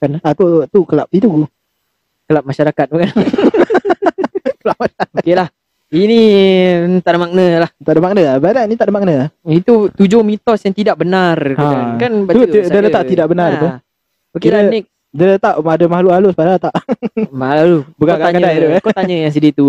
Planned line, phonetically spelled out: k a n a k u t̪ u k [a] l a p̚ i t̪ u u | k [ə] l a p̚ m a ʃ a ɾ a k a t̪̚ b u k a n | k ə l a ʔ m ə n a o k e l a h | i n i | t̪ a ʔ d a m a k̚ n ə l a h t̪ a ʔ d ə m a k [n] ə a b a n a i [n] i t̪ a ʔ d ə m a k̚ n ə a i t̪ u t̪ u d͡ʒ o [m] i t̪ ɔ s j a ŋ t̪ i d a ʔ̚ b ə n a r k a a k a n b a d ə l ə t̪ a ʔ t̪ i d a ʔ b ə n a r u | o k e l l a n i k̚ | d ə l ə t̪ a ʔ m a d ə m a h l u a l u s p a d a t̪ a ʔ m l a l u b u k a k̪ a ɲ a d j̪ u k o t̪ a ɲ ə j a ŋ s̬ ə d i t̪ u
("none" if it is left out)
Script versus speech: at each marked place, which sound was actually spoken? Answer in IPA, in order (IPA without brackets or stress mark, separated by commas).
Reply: ə, ə, n, n, m